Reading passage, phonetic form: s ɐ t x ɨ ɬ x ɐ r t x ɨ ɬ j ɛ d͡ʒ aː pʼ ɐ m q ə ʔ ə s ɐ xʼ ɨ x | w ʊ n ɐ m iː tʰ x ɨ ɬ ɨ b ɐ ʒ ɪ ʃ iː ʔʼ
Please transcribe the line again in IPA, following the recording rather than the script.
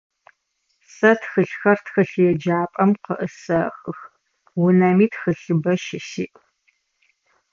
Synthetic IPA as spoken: s ɐ t x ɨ ɬ x ɐ r t x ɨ ɬ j ɛ d͡ʒ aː pʼ ɐ m q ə ʔ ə s ɐ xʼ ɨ x | w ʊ n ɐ m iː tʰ x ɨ ɬ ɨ b ɐ ʃ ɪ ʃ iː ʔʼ

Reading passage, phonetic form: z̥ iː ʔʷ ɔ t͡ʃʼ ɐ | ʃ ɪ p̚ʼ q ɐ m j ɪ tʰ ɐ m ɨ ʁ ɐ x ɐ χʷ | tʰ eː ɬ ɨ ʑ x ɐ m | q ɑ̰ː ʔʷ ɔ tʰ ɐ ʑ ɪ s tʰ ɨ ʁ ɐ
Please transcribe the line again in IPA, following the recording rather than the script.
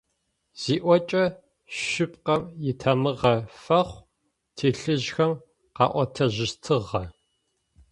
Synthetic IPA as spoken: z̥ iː ʔʷ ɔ t͡ʃʼ ɐ | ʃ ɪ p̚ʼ q ɐ m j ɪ tʰ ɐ m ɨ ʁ ɐ f ɐ χʷ | tʰ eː ɬ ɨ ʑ x ɐ m | q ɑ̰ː ʔʷ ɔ tʰ ɐ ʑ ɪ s tʰ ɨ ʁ ɐ

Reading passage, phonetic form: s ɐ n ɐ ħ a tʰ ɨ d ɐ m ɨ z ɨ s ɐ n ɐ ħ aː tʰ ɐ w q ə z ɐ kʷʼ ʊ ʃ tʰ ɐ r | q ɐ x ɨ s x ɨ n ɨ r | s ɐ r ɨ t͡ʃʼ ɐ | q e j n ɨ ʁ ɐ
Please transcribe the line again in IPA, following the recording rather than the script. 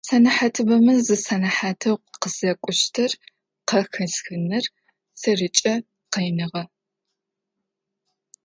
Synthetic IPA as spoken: s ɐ n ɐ ħ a tʰ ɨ b ɐ m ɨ z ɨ s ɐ n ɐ ħ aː tʰ ɐ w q ə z ɐ kʷʼ ʊ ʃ tʰ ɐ r | q ɐ x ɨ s x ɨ n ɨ r | s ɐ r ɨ t͡ʃʼ ɐ | q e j n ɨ ʁ ɐ

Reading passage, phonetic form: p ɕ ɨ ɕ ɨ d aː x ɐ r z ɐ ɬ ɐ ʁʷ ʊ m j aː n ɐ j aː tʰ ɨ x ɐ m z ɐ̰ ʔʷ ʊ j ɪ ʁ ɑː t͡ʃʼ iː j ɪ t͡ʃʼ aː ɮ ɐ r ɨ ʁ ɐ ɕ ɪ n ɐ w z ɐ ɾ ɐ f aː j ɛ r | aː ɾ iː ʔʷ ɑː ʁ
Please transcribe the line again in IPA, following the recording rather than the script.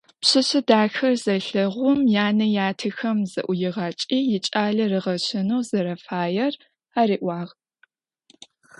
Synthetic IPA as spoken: p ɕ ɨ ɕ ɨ d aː x ɐ r z ɐ ɬ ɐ ʁʷ ʊ m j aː n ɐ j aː tʰ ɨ x ɐ m z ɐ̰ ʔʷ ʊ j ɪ ʁ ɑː t͡ʃʼ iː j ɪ t͡ʃʼ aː ɮ ɐ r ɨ ʁ ɐ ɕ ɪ n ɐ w z ɐ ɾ ɐ f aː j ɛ r | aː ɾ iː ʔʷ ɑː ʁ

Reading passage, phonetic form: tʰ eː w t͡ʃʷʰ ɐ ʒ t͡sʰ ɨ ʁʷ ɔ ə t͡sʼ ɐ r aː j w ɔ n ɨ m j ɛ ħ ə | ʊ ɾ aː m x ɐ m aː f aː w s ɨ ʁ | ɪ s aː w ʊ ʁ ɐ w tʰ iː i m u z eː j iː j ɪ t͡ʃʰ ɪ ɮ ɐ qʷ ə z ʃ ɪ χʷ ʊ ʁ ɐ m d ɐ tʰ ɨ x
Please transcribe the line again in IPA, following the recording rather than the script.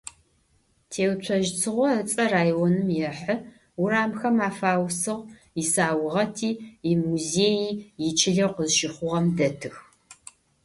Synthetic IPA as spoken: tʰ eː w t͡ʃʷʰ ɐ ʒ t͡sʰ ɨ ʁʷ ɔ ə t͡sʼ ɐ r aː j w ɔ n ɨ m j ɛ ħ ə | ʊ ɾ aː m x ɐ m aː f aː w s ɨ ʁ | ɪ s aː w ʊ ʁ ɐ tʰ iː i m u z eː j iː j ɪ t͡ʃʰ ɪ ɮ ɐ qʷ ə z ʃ ɪ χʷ ʊ ʁ ɐ m d ɐ tʰ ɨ x

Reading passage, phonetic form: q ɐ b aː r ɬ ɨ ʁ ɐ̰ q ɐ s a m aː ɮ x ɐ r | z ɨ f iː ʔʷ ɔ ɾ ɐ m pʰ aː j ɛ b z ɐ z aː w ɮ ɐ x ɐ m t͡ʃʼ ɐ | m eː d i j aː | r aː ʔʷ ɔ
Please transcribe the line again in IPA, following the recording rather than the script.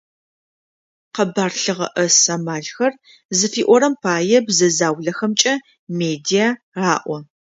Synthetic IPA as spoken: q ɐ b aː r ɬ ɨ ʁ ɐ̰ ʔ ɐ s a m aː ɮ x ɐ r | z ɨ f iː ʔʷ ɔ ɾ ɐ m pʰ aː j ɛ b z ɐ z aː w ɮ ɐ x ɐ m t͡ʃʼ ɐ | m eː d i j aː | r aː ʔʷ ɔ

